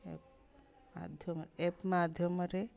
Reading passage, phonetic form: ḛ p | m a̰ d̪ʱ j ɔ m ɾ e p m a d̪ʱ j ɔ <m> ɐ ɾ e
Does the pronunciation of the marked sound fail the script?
no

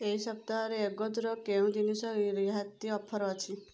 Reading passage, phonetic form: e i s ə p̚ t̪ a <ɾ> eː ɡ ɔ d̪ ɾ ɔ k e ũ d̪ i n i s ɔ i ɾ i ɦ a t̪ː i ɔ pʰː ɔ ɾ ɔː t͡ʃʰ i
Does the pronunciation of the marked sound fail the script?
no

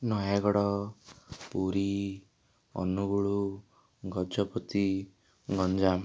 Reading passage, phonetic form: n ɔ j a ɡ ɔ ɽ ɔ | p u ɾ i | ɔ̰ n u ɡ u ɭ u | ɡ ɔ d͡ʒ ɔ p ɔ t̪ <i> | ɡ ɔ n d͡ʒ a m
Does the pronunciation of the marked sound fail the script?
no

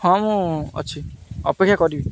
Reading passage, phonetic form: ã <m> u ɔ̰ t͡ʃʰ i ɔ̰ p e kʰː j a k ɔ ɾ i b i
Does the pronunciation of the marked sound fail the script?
no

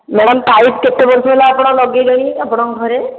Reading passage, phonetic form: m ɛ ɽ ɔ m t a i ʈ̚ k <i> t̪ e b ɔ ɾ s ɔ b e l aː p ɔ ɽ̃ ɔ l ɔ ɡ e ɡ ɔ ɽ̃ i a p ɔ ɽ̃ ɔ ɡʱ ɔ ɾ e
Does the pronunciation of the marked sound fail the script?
yes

